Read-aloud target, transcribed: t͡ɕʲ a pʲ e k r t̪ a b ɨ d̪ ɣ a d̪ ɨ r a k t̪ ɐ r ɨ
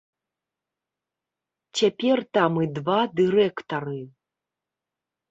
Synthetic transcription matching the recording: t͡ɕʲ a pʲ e r t̪ a m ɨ d̪ v a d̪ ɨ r ɛ k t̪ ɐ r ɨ

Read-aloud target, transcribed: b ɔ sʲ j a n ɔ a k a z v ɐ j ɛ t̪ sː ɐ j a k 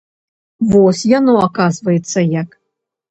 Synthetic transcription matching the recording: v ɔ sʲ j a n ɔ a k a z v ɐ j ɛ t̪ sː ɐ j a k

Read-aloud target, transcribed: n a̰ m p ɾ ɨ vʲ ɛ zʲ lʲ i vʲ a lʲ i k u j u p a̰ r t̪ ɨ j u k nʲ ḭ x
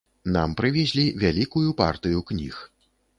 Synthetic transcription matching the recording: n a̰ m p ɾ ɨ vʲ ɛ zʲ lʲ i vʲ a lʲ i k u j u p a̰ r t̪ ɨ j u k nʲ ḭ x

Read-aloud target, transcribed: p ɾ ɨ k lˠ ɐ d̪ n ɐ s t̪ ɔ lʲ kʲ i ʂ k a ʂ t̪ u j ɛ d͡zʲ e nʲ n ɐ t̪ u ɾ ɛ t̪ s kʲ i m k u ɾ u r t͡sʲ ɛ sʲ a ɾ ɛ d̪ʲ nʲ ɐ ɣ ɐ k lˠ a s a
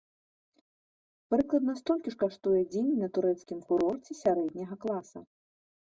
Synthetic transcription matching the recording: p ɾ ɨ k lˠ ɐ d̪ n ɐ s t̪ ɔ lʲ kʲ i ʂ k a ʂ t̪ u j ɛ d͡zʲ e nʲ n ɐ t̪ u ɾ ɛ t̪ s kʲ i m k u ɾ ɔ r t͡sʲ ɛ sʲ a ɾ ɛ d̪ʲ nʲ ɐ ɣ ɐ k lˠ a s ɐ

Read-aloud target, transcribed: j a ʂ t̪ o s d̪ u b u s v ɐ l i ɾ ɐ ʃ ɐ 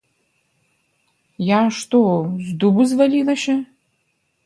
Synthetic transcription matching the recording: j a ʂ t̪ o z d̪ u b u z v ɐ l i l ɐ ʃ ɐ

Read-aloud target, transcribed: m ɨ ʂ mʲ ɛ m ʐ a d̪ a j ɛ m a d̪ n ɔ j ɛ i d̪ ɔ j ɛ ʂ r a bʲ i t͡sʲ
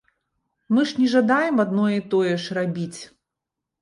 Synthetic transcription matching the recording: m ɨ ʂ nʲ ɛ ʐ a d̪ a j ɛ m a d̪ n ɔ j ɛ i t̪ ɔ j ɛ ʂ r a bʲ i t͡sʲ

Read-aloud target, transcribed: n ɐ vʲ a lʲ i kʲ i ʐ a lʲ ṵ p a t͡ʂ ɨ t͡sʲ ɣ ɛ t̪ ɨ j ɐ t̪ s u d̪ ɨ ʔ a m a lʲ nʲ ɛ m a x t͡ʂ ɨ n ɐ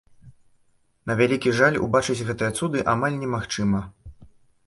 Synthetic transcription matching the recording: n ɐ vʲ a lʲ i kʲ i ʐ a lʲ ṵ b a t͡ʂ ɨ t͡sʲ ɣ ɛ t̪ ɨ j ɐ t̪ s u d̪ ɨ ʔ a m a lʲ nʲ ɛ m a x t͡ʂ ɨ m ɐ

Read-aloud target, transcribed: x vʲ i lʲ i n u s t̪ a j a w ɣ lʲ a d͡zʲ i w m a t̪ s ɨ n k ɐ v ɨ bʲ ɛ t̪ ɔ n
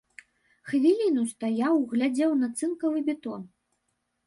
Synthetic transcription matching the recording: x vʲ i lʲ i n u s t̪ a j a w ɣ lʲ a d͡zʲ ɛ w n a t̪ s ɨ n k ɐ v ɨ bʲ ɛ t̪ ɔ n

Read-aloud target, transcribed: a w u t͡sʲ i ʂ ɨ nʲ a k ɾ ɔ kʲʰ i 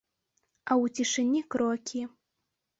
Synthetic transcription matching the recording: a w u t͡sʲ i ʂ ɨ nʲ i k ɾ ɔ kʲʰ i

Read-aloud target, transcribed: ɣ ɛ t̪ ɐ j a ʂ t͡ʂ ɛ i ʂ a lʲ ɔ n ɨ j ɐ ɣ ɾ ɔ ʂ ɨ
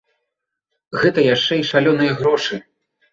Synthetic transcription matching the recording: ɣ ɛ t̪ ɐ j a ʂ t͡ʂ ɛ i ʂ a lʲ ɔ n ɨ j ɐ ɣ ɾ ɔ ʂ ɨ

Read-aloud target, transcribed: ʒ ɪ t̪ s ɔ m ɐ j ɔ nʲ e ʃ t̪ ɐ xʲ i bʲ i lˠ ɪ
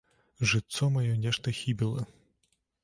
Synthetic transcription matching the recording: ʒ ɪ t̪ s ɔ m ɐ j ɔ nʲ ɛ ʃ t̪ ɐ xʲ i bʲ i lˠ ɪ

